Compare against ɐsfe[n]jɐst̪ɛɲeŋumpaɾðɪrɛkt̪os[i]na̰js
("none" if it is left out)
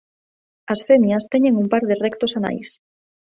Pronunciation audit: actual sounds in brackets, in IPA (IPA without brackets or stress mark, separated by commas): m, a